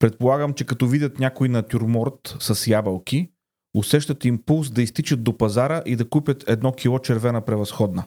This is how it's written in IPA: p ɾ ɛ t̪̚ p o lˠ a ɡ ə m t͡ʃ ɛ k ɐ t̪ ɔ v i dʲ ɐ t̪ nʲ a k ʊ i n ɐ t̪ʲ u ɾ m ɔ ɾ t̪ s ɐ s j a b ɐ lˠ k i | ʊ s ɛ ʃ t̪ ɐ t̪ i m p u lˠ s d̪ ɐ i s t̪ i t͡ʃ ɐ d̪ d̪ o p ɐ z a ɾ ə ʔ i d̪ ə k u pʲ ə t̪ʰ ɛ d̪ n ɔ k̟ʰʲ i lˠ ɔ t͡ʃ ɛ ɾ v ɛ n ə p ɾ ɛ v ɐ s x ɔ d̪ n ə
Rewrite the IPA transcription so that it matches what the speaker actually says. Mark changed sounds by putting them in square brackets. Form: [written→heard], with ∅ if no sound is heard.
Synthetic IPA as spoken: p ɾ ɛ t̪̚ p o lˠ a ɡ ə m t͡ʃ ɛ k ɐ t̪ ɔ v i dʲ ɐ t̪ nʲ a k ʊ i n ɐ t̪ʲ u ɾ m ɔ ɾ t̪ s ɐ s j a b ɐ lˠ k i | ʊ s ɛ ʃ t̪ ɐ t̪ i m p u lˠ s d̪ ɐ i s t̪ i t͡ʃ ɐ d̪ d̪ o p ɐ z a ɾ ə ʔ i d̪ [ə→ɐ] k u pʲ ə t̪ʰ ɛ d̪ n ɔ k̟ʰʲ i lˠ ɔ t͡ʃ ɛ ɾ v ɛ n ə p ɾ ɛ v ɐ s x ɔ d̪ n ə